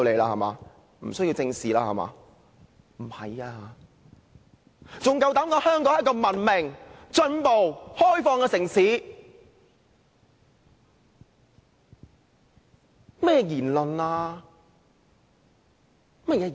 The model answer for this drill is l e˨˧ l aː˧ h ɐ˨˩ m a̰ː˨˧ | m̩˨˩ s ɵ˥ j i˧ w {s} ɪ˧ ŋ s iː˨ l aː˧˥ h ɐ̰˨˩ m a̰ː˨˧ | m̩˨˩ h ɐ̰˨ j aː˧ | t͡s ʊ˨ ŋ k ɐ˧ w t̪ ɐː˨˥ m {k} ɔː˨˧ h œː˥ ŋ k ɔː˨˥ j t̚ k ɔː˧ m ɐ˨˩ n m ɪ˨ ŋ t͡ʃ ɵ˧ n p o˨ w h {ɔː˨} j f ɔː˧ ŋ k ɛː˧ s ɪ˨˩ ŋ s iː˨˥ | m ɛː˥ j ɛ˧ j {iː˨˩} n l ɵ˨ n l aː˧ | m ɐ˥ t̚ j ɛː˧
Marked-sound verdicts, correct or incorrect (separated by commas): incorrect, correct, incorrect, correct